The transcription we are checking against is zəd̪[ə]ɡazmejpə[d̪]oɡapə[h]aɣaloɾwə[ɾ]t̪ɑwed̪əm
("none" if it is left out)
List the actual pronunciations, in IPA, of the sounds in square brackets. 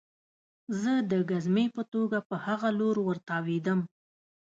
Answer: ə, t̪, h, ɾ

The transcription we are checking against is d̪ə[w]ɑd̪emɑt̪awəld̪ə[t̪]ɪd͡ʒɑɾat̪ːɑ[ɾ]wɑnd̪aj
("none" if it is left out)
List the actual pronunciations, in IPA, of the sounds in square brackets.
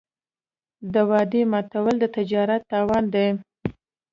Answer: w, t̪, none

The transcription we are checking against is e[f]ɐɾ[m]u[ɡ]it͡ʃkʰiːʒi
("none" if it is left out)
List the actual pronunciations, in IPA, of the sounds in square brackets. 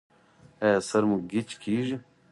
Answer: s, m, ɡ

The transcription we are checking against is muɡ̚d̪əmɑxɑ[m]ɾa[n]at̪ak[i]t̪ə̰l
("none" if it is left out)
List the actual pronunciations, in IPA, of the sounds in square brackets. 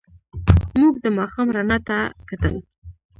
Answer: m, n, a

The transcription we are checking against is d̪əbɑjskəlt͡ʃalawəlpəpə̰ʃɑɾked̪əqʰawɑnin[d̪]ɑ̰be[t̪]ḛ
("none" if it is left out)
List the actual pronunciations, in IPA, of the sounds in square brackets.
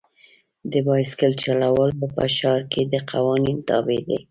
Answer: t̪, d̪

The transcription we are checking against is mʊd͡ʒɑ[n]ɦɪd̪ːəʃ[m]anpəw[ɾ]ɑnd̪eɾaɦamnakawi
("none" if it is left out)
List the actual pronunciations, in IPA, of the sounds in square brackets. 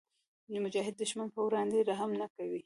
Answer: none, m, ɾ

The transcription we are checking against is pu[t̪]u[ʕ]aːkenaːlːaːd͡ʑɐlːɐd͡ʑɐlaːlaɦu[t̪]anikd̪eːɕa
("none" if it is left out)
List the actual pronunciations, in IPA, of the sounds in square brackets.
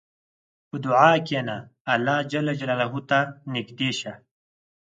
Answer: d̪, ʕ, t̪

